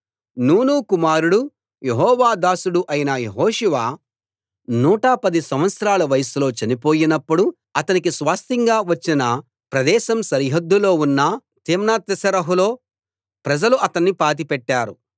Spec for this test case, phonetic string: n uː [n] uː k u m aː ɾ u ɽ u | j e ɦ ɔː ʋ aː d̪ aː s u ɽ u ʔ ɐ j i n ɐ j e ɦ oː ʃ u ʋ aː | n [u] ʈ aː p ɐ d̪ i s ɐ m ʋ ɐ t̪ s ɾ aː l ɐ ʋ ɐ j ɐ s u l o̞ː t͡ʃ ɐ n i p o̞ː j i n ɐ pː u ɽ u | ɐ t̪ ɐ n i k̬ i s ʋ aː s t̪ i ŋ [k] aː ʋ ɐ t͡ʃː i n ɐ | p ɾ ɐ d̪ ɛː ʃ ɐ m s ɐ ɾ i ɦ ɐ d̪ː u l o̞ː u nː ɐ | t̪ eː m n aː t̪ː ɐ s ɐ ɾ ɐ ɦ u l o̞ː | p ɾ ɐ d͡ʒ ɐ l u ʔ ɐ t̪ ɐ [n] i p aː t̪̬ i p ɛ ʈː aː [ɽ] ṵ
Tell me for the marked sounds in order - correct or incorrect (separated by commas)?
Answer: correct, incorrect, incorrect, incorrect, incorrect